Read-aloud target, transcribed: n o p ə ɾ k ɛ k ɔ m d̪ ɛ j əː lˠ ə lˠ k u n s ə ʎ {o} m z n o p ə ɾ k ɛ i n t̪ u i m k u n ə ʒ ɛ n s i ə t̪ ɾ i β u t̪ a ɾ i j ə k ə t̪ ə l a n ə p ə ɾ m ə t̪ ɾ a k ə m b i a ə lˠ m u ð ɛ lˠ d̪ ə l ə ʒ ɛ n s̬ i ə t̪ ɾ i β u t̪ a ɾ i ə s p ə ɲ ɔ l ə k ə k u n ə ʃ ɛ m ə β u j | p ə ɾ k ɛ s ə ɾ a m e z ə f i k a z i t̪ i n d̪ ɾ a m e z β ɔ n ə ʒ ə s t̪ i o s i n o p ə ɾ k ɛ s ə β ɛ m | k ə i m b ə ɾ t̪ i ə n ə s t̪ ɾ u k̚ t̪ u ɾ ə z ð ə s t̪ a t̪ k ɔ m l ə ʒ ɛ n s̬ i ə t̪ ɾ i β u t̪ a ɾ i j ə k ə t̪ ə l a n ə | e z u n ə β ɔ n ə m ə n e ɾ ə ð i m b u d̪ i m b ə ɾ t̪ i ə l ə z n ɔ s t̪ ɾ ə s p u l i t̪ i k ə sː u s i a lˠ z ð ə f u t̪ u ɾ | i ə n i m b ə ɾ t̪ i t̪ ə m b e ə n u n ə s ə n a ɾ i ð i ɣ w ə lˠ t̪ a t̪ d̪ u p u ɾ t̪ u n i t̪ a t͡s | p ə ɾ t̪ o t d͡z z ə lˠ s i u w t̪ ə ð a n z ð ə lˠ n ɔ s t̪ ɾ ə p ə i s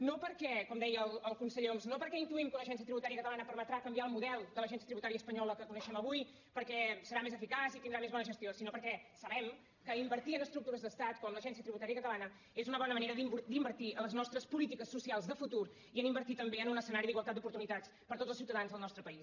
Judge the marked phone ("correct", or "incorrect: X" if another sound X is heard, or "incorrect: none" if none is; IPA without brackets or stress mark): correct